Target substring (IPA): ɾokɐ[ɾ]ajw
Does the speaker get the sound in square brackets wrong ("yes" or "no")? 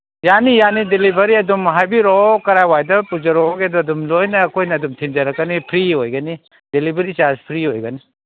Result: no